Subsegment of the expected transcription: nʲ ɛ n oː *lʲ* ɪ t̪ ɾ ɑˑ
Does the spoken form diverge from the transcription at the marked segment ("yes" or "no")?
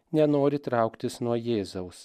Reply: yes